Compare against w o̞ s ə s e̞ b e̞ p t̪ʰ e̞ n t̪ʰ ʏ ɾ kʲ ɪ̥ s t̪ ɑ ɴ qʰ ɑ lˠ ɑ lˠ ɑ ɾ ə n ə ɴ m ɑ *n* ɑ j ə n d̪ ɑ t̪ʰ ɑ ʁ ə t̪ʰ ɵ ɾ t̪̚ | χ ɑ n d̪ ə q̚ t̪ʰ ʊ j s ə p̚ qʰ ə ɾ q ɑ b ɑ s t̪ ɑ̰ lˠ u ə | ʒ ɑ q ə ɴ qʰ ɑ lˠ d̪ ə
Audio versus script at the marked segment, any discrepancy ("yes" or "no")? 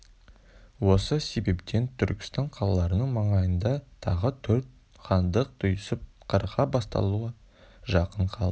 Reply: yes